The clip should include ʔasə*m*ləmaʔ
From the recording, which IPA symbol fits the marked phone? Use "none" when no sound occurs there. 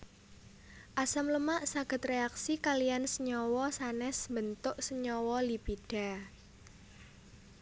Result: m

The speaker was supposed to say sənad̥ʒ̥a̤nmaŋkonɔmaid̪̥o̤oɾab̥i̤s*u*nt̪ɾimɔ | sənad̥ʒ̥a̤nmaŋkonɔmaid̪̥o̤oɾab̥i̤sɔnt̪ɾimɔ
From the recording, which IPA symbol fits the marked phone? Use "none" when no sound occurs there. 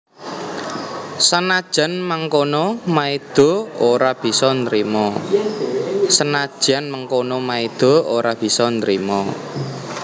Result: ɔ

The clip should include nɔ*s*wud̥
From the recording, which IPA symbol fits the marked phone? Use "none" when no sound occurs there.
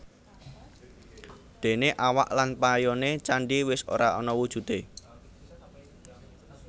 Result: none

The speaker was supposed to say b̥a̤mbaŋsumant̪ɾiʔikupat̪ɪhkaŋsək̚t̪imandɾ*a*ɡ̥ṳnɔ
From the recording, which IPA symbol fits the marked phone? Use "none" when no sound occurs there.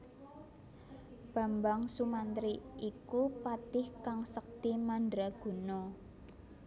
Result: a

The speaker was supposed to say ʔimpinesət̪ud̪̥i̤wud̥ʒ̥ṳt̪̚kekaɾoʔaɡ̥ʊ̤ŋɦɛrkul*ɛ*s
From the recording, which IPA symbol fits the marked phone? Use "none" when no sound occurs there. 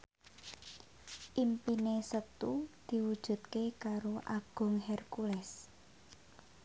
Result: ɛ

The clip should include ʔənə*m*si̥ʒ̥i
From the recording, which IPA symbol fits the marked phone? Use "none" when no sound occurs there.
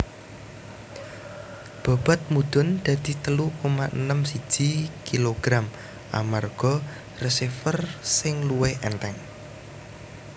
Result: m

